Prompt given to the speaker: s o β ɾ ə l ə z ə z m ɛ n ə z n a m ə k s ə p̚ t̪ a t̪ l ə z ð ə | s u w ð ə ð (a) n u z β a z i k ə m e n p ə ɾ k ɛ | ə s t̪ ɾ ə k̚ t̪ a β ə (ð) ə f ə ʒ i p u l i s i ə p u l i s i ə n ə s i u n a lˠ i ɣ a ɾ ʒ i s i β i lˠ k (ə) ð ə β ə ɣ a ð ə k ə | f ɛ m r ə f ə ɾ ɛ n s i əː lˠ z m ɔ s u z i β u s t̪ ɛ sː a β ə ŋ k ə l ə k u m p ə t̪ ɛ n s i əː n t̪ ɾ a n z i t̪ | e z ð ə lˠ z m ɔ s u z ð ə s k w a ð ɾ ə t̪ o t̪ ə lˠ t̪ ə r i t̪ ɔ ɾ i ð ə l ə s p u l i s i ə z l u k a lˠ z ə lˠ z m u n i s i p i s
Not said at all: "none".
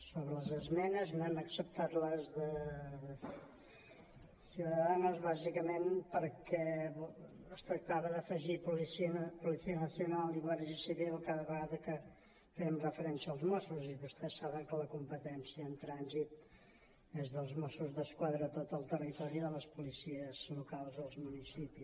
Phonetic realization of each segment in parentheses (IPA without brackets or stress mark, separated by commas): a, ð, a